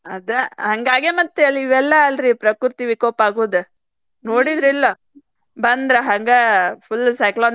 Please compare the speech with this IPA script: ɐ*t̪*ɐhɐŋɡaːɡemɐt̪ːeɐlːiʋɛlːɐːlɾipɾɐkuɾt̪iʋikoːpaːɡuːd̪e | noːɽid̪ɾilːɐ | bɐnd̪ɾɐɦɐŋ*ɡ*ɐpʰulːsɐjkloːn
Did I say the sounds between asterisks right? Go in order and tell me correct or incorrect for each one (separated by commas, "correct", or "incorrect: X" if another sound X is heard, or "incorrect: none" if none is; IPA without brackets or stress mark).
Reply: incorrect: d̪, correct